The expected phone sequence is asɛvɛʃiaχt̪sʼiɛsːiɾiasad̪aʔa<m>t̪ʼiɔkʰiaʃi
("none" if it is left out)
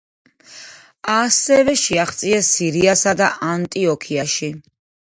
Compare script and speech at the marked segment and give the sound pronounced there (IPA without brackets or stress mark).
n